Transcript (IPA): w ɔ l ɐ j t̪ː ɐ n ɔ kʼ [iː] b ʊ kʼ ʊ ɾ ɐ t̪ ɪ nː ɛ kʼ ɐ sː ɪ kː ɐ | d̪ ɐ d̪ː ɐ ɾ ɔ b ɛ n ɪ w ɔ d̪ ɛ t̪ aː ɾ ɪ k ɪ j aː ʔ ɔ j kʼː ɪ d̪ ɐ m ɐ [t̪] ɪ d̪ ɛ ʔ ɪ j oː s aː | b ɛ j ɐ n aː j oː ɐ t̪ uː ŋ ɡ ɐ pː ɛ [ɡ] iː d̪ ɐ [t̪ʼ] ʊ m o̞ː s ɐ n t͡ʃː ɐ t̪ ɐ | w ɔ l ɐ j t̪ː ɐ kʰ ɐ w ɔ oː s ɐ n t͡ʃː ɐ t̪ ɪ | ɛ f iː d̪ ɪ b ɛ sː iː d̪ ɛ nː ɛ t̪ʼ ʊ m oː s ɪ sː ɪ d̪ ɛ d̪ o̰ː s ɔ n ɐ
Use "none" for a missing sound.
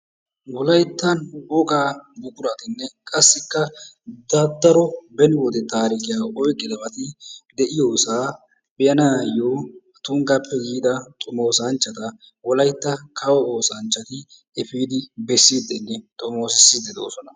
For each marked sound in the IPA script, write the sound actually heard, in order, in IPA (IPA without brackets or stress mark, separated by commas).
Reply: aː, t̪, ɡ, t̪ʼ